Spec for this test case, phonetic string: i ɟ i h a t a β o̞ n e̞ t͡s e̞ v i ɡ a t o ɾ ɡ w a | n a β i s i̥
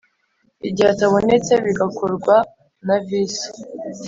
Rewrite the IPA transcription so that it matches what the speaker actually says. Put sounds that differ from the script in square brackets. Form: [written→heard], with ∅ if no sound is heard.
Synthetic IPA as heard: i ɟ i h a t a β o̞ n e̞ t͡s e̞ [v→β] i ɡ a [t→k] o ɾ ɡ w a | n a [β→v] i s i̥